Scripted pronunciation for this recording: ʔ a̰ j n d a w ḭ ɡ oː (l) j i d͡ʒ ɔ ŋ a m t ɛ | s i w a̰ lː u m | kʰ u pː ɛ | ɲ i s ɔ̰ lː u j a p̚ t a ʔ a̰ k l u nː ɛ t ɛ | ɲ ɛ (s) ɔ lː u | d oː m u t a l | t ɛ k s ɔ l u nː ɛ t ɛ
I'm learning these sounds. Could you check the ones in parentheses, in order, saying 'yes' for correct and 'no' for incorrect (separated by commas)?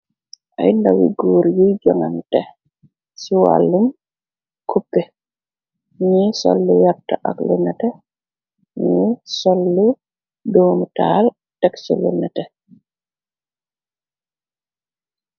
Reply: no, yes